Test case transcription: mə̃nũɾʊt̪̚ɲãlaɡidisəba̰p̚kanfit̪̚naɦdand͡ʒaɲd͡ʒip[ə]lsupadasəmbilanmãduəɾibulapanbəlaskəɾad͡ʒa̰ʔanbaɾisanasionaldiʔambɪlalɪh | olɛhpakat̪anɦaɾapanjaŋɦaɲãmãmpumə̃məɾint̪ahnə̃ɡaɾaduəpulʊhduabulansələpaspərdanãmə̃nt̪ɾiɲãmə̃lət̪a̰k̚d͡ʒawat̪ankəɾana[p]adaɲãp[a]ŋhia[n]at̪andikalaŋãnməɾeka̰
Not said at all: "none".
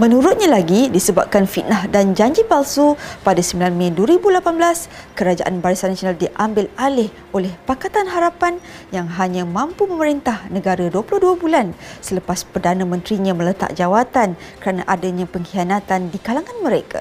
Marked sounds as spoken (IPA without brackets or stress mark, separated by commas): a, ʔ, ə, n